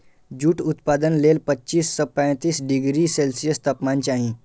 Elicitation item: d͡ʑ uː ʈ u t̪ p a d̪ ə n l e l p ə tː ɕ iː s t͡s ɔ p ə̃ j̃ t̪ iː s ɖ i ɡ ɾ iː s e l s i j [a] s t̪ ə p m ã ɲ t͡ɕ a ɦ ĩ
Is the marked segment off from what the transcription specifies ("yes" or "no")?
yes